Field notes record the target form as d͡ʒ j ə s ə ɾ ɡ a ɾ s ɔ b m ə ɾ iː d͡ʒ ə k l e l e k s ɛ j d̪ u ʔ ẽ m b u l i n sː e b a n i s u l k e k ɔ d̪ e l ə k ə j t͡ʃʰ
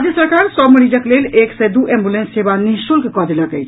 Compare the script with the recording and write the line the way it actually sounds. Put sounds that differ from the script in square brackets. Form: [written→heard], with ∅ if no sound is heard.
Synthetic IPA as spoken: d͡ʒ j ə s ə ɾ [ɡ→k] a ɾ s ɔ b m ə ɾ [iː→i] d͡ʒ ə k l e l e k s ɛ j d̪ u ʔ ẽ m b u l [i→e] n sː e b a n i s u l k e k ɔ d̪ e l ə k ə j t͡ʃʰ